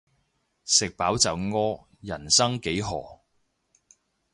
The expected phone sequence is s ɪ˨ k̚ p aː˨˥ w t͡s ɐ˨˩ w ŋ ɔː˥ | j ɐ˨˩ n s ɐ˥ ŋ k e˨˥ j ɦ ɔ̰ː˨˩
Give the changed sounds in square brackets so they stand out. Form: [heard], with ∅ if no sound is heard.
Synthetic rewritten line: s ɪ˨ k̚ p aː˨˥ w t͡s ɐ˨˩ w ŋ ɔː˥ | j ɐ˨˩ n s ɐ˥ ŋ k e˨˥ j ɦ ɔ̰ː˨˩